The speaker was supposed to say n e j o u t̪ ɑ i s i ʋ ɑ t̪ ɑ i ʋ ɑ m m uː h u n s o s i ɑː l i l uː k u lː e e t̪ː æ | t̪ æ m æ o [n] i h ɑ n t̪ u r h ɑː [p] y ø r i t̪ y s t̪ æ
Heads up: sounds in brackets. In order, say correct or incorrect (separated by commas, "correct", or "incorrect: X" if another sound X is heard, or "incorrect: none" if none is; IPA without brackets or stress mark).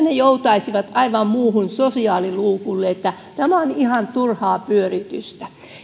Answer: correct, correct